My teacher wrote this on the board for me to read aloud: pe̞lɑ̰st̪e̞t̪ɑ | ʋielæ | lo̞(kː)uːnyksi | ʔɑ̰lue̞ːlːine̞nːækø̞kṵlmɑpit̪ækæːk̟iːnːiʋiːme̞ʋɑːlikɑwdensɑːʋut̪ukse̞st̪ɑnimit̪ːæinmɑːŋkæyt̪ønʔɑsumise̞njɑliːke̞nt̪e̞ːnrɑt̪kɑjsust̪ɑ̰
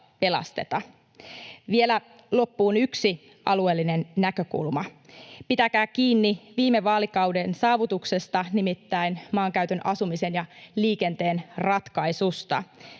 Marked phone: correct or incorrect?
incorrect: pː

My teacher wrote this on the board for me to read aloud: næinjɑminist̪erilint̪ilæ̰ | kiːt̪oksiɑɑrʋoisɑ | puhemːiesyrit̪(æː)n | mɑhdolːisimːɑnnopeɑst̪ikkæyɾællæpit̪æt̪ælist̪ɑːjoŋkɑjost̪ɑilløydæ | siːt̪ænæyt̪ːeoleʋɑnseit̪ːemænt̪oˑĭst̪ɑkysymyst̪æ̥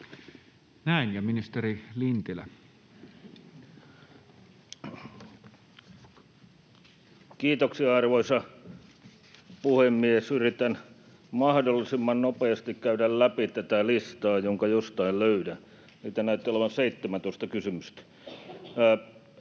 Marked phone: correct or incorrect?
incorrect: æ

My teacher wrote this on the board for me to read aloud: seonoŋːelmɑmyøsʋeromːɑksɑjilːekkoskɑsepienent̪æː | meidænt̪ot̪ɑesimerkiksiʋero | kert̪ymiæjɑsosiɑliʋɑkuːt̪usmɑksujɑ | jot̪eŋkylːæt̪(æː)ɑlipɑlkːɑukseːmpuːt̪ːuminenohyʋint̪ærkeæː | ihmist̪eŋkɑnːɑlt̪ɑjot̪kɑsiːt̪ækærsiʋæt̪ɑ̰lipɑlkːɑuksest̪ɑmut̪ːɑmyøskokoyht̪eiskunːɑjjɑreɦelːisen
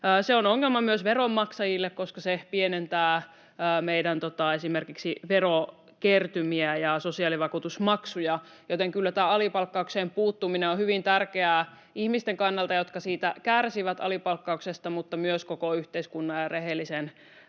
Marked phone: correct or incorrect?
correct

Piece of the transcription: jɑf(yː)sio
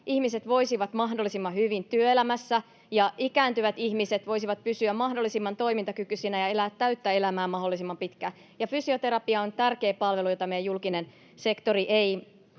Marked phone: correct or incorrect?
incorrect: y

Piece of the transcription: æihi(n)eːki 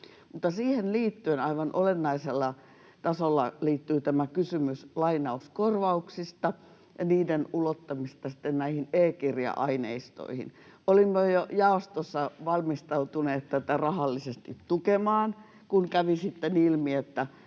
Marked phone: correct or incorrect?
correct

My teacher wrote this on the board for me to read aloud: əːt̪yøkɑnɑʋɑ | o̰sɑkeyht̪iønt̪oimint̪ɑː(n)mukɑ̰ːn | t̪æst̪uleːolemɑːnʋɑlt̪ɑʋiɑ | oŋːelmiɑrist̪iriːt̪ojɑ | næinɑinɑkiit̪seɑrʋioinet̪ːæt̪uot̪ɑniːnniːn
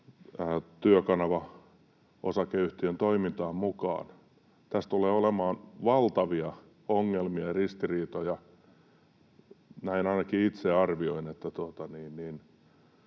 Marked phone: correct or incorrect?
incorrect: m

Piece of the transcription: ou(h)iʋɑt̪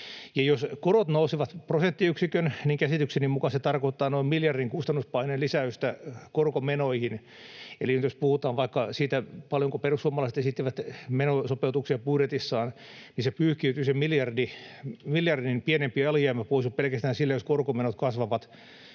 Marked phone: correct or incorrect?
incorrect: s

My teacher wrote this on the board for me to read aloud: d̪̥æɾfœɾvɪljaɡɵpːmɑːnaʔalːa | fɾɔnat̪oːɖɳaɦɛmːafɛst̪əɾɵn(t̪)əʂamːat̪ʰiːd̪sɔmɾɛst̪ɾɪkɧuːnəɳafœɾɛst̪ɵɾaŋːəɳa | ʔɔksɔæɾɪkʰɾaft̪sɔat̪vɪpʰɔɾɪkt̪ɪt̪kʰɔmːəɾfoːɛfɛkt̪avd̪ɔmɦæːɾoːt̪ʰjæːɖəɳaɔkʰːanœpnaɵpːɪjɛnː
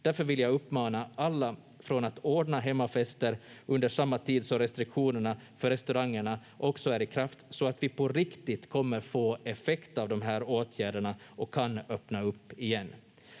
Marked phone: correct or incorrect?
incorrect: d̪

